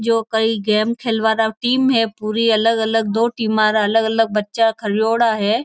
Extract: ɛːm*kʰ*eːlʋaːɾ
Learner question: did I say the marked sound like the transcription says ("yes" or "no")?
yes